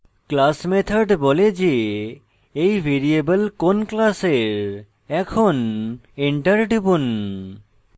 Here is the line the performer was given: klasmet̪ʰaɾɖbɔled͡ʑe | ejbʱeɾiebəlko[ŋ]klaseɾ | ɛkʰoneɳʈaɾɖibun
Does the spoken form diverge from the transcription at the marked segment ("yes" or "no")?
yes